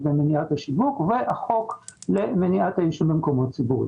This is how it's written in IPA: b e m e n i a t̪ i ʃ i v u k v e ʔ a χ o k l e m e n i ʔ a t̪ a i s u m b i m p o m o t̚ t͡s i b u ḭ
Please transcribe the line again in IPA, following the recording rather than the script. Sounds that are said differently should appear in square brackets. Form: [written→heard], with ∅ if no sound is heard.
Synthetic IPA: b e m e n i a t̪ [i→a] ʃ i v u k v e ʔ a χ o k l e m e n i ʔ a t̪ a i [s→ʃ] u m b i m [p→k] o m o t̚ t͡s i b u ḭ